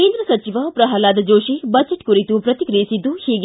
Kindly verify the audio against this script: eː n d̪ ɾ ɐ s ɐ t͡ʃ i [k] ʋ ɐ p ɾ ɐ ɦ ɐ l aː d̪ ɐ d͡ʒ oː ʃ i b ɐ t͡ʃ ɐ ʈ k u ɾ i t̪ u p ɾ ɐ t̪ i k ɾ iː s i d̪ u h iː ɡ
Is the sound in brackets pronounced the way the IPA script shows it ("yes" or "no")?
no